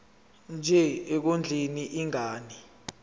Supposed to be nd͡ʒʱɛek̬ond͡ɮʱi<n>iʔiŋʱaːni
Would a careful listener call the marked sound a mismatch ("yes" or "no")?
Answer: no